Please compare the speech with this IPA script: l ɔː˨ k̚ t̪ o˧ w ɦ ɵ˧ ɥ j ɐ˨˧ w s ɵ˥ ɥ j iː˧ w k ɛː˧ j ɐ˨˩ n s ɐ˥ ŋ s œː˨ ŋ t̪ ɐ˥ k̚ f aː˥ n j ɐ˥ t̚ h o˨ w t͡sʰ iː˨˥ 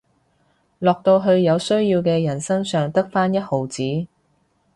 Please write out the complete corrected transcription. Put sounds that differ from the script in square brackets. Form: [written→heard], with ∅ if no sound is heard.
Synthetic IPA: l ɔː˨ k̚ t̪ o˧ w ɦ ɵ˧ ɥ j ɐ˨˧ w s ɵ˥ ɥ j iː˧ w k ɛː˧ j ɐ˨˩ n s ɐ˥ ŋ s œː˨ ŋ t̪ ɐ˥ k̚ f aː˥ n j ɐ˥ t̚ h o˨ w [t͡sʰ→t͡s] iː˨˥